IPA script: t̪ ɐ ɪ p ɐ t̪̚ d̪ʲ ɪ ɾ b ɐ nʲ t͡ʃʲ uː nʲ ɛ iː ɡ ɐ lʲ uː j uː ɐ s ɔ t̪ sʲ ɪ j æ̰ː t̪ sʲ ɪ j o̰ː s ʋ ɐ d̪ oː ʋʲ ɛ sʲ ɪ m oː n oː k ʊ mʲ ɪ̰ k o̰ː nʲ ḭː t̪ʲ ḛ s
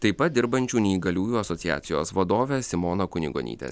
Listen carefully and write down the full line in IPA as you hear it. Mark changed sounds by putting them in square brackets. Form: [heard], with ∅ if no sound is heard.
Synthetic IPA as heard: t̪ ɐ ɪ p ɐ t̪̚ d̪ʲ ɪ ɾ b ɐ nʲ t͡ʃʲ uː nʲ ɛ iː ɡ ɐ lʲ uː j uː ɐ s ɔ t̪ sʲ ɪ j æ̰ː t̪ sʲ ɪ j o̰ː s ʋ ɐ d̪ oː ʋʲ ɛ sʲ ɪ m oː n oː k ʊ [nʲ] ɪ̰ [ɡ] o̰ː nʲ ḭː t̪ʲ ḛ s